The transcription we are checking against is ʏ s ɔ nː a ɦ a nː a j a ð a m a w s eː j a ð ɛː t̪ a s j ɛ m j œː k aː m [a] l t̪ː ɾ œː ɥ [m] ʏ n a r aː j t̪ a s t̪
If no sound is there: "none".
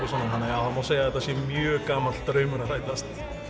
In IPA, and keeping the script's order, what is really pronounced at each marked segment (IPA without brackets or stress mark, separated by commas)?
a, m